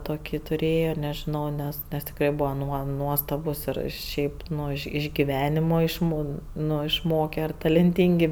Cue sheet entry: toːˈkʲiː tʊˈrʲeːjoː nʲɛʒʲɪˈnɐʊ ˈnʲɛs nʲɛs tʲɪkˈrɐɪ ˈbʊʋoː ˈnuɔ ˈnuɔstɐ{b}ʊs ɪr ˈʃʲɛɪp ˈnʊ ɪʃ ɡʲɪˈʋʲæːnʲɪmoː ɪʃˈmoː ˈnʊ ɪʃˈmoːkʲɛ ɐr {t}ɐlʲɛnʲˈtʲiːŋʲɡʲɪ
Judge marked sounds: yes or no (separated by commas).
yes, yes